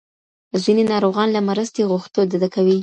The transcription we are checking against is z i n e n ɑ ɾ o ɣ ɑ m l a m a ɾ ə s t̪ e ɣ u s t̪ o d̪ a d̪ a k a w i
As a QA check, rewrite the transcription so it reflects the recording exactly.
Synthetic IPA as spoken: z i n e n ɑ ɾ o ɣ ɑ n l a m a ɾ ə s t̪ e ɣ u x t̪ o d̪ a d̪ a k a w i